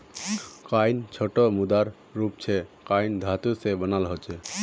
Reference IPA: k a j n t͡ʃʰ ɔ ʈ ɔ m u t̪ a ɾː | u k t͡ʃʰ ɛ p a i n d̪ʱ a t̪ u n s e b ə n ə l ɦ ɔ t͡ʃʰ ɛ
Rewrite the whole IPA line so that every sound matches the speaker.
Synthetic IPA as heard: k a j n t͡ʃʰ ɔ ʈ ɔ m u d̪ a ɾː | u p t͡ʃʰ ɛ k a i n d̪ʱ a t̪ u s e b ə n a l ɦ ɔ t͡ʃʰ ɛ